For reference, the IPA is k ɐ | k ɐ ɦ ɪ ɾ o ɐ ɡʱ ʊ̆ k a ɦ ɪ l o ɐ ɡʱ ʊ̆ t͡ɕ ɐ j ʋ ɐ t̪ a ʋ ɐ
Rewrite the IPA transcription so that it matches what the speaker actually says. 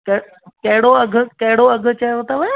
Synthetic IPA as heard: k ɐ | k ɐ ɦ ɪ ɽ o ɐ ɡʱ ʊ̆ k ɐ ɦ ɪ ɽ o ɐ ɡʱ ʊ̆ t͡ɕ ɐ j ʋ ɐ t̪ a ʋ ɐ